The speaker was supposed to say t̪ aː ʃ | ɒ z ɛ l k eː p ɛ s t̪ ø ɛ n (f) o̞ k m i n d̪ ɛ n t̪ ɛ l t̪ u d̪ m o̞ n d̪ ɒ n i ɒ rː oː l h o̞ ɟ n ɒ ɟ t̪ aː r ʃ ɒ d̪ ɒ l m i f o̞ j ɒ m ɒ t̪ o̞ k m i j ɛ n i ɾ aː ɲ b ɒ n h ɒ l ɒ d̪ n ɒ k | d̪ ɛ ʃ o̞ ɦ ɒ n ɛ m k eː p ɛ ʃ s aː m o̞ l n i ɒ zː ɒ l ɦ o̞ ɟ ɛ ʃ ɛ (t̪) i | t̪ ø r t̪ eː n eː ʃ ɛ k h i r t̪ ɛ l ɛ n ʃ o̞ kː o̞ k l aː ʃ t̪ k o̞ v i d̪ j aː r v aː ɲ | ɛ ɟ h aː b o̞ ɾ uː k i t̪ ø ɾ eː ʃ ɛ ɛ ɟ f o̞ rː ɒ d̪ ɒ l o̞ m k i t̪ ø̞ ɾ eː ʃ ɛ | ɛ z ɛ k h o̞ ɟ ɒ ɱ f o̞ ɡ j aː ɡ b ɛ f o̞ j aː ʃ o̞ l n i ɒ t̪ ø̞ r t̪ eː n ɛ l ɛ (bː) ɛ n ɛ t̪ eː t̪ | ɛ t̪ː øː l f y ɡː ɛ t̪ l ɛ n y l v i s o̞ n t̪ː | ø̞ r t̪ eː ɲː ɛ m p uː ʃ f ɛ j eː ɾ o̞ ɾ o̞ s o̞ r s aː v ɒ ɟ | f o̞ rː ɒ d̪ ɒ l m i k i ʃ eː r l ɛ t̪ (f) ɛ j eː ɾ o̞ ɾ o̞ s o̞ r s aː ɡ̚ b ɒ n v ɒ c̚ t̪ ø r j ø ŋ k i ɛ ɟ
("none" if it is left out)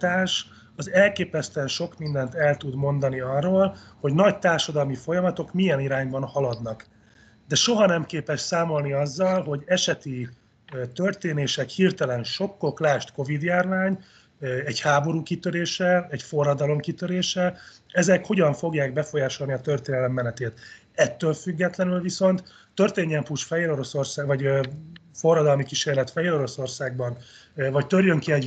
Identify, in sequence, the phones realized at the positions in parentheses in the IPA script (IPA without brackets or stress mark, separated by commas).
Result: ʃ, t̪, mː, f